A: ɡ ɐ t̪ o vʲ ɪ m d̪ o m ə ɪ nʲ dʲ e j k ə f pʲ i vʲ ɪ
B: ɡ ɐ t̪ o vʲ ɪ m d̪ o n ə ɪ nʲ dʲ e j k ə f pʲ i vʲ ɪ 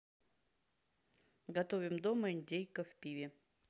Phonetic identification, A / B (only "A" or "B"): A